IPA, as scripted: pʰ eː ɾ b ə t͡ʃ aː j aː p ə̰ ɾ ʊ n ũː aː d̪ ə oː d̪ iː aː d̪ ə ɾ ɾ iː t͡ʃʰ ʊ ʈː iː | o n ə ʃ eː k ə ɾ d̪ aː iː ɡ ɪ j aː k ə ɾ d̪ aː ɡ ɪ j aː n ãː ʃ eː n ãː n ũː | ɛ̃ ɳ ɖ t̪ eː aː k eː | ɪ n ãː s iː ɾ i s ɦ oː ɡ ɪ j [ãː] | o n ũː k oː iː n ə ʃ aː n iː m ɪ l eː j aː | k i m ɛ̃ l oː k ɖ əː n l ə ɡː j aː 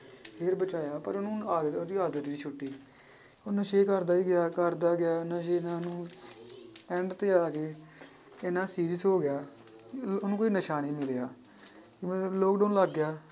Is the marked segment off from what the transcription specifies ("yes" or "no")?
yes